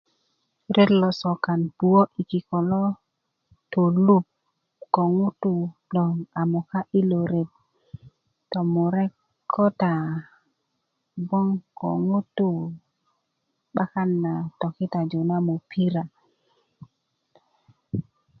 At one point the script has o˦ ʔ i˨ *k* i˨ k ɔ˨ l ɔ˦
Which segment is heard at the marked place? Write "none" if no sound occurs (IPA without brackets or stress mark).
k